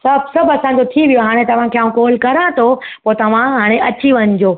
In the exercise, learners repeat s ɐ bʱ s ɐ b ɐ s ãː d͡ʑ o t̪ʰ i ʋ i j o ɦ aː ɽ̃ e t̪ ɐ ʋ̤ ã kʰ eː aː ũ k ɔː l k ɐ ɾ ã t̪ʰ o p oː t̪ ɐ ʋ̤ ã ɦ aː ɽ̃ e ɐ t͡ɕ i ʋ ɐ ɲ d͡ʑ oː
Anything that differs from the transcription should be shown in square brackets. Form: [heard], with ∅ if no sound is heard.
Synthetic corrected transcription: s ɐ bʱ s ɐ b ɐ s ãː d͡ʑ o t̪ʰ i ʋ i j o ɦ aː ɽ̃ e t̪ ɐ ʋ̤ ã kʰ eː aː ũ k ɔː l k ɐ ɾ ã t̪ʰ o p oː t̪ ɐ ʋ̤ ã ɦ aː ɽ̃ e ɐ t͡ɕ i ʋ ɐ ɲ d͡ʑ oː

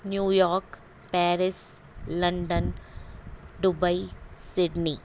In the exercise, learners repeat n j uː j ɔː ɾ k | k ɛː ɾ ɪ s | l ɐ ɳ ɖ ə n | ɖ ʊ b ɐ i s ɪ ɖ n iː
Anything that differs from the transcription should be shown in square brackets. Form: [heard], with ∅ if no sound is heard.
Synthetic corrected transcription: n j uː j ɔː ɾ k | [p] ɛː ɾ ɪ s | l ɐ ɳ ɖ ə n | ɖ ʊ b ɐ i s ɪ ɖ n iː

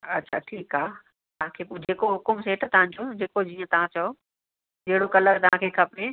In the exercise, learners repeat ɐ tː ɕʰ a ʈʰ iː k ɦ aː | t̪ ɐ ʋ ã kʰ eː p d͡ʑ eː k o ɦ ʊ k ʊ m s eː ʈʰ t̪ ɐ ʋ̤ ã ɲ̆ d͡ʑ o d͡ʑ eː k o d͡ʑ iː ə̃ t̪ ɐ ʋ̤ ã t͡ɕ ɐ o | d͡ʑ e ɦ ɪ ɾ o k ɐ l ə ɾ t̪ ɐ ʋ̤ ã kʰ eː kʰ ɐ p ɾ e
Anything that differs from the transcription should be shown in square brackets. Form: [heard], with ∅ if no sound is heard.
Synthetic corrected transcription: ɐ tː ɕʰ a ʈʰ iː k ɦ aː | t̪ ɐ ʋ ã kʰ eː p d͡ʑ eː k o ɦ ʊ k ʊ m s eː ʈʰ t̪ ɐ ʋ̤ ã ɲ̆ d͡ʑ o d͡ʑ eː k o d͡ʑ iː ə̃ t̪ ɐ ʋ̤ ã t͡ɕ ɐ o | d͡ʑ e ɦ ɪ [ɽ] o k ɐ l ə ɾ t̪ ɐ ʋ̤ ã kʰ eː kʰ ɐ p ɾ e

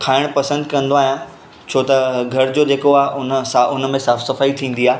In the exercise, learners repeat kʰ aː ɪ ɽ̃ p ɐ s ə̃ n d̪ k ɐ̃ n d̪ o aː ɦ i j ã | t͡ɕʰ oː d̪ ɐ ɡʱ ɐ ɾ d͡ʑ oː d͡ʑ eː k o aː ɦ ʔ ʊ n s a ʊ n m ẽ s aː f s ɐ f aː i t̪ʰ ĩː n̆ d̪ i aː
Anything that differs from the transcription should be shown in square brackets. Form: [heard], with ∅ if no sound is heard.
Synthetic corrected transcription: kʰ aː ɪ ɽ̃ p ɐ s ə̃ n d̪ k ɐ̃ n d̪ o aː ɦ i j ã | t͡ɕʰ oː [t̪] ɐ ɡʱ ɐ ɾ d͡ʑ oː d͡ʑ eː k o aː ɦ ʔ ʊ n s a ʊ n m ẽ s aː f s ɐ f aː i t̪ʰ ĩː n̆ d̪ i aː

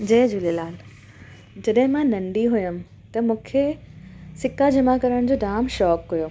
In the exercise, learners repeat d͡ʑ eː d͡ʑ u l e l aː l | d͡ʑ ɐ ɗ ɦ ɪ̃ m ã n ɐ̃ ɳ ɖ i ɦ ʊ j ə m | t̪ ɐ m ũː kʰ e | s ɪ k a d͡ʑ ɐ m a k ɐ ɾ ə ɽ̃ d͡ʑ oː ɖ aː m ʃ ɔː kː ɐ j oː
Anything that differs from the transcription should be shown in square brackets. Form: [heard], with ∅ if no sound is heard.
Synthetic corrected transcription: d͡ʑ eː d͡ʑ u l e l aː l | d͡ʑ ɐ ɗ ɦ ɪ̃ m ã n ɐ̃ ɳ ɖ i ɦ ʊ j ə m | t̪ ɐ m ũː kʰ e | s ɪ k a d͡ʑ ɐ m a k ɐ ɾ ə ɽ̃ d͡ʑ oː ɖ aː m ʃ ɔː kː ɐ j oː

